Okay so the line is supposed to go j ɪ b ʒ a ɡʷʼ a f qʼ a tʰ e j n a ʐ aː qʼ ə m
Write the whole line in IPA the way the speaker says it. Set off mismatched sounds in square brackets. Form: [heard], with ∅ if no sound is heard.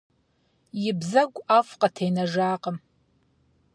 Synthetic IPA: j ɪ b [z] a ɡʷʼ a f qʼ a tʰ e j n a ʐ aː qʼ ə m